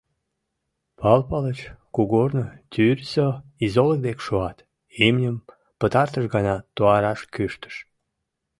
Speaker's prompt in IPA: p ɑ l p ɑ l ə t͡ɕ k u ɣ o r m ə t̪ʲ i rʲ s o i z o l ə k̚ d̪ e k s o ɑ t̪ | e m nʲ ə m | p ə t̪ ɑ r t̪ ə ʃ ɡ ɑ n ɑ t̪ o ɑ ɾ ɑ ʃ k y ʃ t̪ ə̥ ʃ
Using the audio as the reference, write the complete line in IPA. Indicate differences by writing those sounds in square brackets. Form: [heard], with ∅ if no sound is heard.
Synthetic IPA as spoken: p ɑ l p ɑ l ə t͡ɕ k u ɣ o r [n] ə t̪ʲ [y] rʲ s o i z o l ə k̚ d̪ e k [ʃ] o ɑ t̪ | e m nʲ ə m | p ə t̪ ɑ r t̪ ə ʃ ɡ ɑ n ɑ t̪ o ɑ ɾ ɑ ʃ k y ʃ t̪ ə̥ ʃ